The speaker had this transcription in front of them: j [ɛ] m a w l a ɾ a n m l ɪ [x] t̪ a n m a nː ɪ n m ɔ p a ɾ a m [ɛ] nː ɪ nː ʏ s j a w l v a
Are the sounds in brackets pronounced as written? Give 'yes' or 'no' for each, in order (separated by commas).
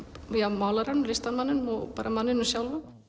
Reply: no, no, no